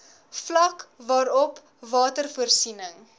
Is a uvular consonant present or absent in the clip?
absent